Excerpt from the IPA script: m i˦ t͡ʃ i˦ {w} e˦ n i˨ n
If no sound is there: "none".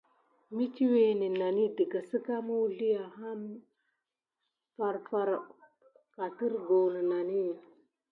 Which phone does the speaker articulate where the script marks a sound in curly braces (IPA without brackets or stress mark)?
w